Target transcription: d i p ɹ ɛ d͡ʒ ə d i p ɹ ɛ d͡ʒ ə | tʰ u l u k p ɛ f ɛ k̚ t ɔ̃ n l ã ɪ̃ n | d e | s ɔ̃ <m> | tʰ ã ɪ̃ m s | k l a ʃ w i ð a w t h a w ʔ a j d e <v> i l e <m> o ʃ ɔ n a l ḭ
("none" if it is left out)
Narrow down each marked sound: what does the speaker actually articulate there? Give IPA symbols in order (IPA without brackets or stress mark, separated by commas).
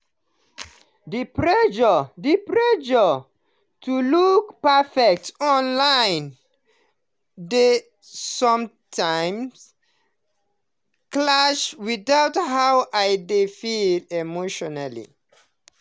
m, f, m